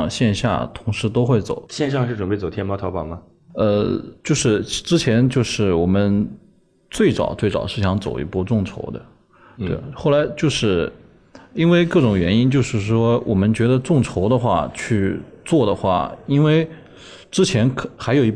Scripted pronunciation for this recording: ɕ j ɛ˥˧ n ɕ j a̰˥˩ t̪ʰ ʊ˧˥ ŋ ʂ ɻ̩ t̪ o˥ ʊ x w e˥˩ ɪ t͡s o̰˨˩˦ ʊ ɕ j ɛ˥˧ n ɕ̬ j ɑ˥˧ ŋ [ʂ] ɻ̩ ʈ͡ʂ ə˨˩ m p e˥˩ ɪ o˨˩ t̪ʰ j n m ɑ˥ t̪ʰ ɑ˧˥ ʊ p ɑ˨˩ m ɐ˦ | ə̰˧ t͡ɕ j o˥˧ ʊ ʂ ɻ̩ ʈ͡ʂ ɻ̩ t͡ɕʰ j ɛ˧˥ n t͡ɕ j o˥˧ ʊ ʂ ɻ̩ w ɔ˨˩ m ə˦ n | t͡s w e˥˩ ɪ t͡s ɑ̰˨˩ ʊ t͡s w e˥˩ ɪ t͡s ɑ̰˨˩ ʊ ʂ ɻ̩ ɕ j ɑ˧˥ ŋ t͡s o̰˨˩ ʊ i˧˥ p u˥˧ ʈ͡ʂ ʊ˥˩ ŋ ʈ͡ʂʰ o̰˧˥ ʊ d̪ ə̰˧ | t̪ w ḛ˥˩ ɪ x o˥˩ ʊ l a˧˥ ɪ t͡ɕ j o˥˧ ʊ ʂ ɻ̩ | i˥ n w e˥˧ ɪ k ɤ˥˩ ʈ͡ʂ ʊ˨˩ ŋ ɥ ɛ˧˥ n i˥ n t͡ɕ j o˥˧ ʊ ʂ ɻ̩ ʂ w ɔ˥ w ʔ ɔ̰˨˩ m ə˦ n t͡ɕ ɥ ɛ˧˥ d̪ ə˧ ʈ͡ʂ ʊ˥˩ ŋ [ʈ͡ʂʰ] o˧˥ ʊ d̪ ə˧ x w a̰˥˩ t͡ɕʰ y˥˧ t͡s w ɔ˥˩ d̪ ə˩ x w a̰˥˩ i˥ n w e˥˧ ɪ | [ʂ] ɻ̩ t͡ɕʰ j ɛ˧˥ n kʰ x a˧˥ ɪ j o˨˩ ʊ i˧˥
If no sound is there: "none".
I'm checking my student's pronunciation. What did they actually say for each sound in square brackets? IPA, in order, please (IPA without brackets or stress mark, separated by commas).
ʂ, ʈ͡ʂʰ, ʈ͡ʂ